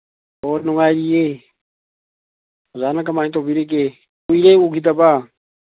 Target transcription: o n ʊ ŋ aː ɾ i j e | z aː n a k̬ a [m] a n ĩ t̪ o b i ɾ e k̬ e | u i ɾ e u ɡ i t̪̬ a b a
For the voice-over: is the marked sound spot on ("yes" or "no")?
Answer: yes